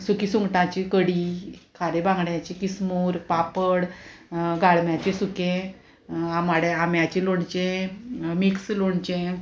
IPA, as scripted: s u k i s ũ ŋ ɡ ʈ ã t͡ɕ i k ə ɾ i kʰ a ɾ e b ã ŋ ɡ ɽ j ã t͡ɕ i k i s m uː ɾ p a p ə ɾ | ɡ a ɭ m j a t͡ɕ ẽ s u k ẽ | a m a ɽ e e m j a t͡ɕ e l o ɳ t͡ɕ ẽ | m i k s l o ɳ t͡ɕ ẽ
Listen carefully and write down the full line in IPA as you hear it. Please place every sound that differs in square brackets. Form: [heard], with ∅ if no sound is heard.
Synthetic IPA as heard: s u k i s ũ ŋ ɡ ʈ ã t͡ɕ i k ə [ɽ] i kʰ a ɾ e b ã ŋ ɡ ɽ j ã t͡ɕ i k i s m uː ɾ p a p ə [ɽ] | ɡ a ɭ m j a t͡ɕ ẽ s u k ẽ | a m a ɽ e [a] m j a t͡ɕ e l o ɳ t͡ɕ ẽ | m i k s l o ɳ t͡ɕ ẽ